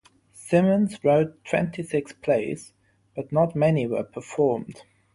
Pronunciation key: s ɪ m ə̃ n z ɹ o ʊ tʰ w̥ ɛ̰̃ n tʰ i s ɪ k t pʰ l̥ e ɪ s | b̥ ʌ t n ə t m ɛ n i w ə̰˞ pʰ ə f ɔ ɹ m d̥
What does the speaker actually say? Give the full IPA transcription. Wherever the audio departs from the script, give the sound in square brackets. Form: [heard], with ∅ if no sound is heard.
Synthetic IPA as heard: s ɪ m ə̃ n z ɹ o ʊ tʰ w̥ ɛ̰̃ n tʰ i s ɪ k [s] pʰ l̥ e ɪ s | b̥ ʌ t n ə t m ɛ n i w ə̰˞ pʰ ə f ɔ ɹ m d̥